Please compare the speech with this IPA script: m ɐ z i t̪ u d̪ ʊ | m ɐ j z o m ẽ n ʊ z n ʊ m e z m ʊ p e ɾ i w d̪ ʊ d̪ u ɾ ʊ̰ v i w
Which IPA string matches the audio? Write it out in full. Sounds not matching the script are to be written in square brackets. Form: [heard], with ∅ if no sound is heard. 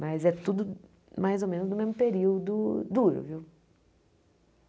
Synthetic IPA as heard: m ɐ z [ɛ] t̪ u d̪ ʊ | m [a] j z o m ẽ n ʊ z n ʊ m e z m ʊ p e ɾ i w d̪ ʊ d̪ u ɾ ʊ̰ v i w